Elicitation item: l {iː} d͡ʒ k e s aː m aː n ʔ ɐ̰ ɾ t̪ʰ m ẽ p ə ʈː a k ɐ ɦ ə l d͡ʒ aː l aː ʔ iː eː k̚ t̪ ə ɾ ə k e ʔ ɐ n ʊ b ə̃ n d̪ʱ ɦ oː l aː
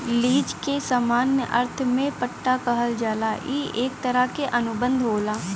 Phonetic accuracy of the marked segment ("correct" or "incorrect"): correct